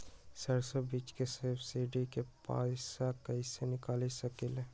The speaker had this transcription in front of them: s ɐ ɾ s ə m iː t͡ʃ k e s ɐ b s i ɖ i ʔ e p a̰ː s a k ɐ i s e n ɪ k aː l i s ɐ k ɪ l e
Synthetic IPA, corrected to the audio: s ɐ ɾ s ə b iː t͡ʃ k e s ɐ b s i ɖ i k e p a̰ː s a k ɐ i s e n ɪ k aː l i s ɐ k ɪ l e